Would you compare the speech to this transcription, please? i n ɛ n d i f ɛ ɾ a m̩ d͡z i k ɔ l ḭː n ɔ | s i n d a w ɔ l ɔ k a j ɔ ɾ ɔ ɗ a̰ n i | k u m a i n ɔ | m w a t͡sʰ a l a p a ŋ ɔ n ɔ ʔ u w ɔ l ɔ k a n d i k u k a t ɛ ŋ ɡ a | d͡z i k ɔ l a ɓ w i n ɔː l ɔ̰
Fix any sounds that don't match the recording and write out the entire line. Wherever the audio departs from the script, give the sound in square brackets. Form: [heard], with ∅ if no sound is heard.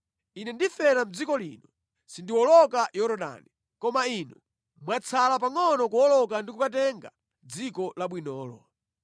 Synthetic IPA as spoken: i n ɛ n d i f ɛ ɾ a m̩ d͡z i k ɔ l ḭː n ɔ | s i n d [i] w ɔ l ɔ k a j ɔ ɾ ɔ ɗ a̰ n i | k [ɔ] m a i n ɔ | m w a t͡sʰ a l a p a ŋ ɔ n ɔ [k] u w ɔ l ɔ k a n d i k u k a t ɛ ŋ ɡ a | d͡z i k ɔ l a ɓ w i n ɔː l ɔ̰

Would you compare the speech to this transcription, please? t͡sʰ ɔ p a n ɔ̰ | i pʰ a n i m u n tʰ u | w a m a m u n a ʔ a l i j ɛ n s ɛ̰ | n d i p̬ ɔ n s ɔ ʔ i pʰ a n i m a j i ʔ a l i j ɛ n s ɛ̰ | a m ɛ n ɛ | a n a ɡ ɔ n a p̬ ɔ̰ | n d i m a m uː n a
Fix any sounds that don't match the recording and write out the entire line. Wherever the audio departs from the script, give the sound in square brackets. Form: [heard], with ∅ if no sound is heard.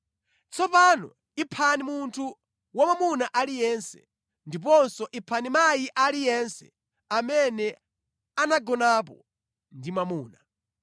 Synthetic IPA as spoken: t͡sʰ ɔ p a n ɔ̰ | i pʰ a n i m u n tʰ u | w a m a m u n a ʔ a l i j ɛ n s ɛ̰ | n d i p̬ ɔ n s ɔ ʔ i pʰ a n i m a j i ʔ a l i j ɛ n s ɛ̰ | a m ɛ n ɛ | a n a ɡ ɔ n a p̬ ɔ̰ | n d i m a m uː n a

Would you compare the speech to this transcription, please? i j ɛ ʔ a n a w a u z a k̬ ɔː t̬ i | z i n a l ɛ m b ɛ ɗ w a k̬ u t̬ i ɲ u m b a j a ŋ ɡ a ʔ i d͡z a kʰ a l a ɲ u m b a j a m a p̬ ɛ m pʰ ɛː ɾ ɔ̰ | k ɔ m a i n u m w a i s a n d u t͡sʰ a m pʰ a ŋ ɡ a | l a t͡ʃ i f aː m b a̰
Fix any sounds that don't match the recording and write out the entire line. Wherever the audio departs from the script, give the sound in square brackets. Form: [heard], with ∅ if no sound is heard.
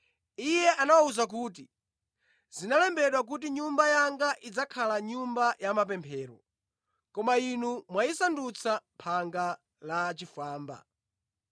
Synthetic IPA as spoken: i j ɛ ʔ a n a w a u z a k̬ [uː] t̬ i | z i n a l ɛ m b ɛ ɗ w a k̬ u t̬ i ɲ u m b a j a ŋ ɡ a ʔ i d͡z a kʰ a l a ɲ u m b a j a m a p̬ ɛ m pʰ ɛː ɾ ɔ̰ | k ɔ m a i n u m w a i s a n d u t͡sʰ a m pʰ a ŋ ɡ a | l a t͡ʃ i f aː m b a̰

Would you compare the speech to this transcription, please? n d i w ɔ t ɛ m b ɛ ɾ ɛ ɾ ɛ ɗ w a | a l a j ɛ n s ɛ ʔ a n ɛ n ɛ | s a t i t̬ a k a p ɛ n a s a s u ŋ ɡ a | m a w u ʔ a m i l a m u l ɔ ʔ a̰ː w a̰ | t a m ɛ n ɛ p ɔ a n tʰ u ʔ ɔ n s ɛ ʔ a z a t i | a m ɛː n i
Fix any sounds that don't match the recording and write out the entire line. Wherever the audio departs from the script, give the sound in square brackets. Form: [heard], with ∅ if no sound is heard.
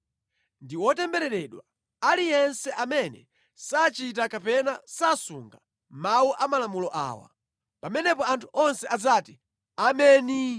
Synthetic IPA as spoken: n d i w ɔ t ɛ m b ɛ ɾ ɛ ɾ ɛ ɗ w a | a l [i] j ɛ n s ɛ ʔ a [m] ɛ n ɛ | s a [t͡ʃ] i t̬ a k a p ɛ n a s a s u ŋ ɡ a | m a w u ʔ a m [a] l a m u l ɔ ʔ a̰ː w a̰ | [p] a m ɛ n ɛ p ɔ a n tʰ u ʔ ɔ n s ɛ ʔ a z a t i | a m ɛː n i

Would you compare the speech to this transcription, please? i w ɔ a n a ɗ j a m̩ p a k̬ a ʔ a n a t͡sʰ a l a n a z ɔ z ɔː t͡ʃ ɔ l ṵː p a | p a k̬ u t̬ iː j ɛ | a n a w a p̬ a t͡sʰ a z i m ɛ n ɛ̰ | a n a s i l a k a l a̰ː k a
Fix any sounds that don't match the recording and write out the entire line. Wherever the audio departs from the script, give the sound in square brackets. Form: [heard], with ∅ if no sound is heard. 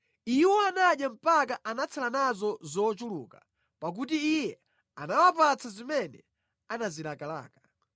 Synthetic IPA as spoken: i w ɔ a n a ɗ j a m̩ p a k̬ a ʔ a n a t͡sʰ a l a n a z ɔ z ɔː t͡ʃ [u] l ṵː [k] a | p a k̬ u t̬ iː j ɛ | a n a w a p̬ a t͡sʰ a z i m ɛ n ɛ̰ | a n a [z] i l a k a l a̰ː k a

